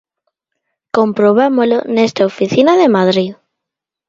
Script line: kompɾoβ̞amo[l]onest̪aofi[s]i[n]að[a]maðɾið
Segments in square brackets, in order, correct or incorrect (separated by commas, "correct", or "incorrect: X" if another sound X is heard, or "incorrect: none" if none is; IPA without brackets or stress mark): correct, incorrect: θ, correct, incorrect: e